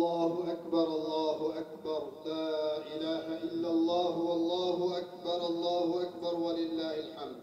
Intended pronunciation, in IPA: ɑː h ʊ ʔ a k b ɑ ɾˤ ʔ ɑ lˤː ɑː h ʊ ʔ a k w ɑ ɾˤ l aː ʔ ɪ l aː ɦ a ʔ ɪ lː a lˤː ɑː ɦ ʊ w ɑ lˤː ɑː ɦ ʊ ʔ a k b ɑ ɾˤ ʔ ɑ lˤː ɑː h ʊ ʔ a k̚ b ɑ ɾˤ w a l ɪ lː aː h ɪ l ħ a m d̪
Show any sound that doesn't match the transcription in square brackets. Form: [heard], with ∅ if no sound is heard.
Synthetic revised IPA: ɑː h ʊ ʔ a k b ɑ ɾˤ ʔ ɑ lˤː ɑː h ʊ ʔ a k [b] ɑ ɾˤ l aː ʔ ɪ l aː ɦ a ʔ ɪ lː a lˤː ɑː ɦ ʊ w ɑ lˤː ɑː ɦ ʊ ʔ a k b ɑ ɾˤ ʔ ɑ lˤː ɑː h ʊ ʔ a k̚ b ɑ ɾˤ w a l ɪ lː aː h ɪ l ħ a m d̪